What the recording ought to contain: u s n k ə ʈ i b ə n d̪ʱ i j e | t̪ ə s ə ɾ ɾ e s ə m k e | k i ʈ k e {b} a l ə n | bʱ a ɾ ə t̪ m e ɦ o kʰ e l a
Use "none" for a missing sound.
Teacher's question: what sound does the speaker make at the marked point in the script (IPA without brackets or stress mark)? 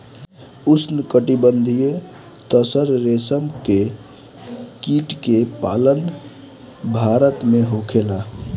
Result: p